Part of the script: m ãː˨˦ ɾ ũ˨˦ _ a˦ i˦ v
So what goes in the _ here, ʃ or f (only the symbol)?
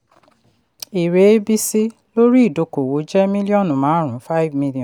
f